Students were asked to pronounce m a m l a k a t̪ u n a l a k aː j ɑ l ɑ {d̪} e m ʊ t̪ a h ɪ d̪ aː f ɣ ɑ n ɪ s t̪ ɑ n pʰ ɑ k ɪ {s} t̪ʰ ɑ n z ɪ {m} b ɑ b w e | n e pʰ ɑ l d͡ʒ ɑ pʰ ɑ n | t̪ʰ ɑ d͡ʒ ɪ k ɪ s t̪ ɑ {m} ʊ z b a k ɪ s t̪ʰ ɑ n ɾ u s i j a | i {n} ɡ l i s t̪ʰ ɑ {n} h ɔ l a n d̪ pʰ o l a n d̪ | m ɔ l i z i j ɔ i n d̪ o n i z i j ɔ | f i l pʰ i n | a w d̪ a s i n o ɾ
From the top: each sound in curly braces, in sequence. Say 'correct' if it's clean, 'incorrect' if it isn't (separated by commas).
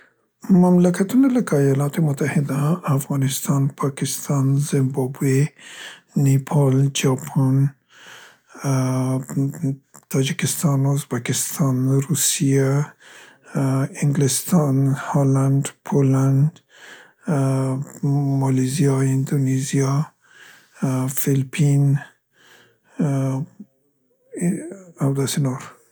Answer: incorrect, correct, correct, incorrect, incorrect, correct